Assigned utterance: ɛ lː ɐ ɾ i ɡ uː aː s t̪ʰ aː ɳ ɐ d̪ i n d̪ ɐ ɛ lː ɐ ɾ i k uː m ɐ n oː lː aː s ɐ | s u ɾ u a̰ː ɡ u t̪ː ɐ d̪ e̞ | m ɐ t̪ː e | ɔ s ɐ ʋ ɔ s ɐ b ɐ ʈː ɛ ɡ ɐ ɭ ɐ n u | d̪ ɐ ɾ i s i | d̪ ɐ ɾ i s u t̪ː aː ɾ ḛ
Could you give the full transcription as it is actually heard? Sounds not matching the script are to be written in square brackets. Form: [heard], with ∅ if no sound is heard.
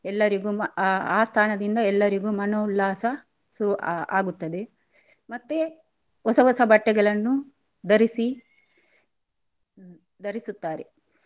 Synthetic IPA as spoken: ɛ lː ɐ ɾ i ɡ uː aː s t̪ʰ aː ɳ ɐ d̪ i n d̪ ɐ ɛ lː ɐ ɾ i [ɡ] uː m ɐ n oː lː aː s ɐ | s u ɾ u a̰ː ɡ u t̪ː ɐ d̪ e̞ | m ɐ t̪ː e | ɔ s ɐ ʋ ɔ s ɐ b ɐ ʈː ɛ ɡ ɐ ɭ ɐ [nː] u | d̪ ɐ ɾ i s i | d̪ ɐ ɾ i s u t̪ː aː ɾ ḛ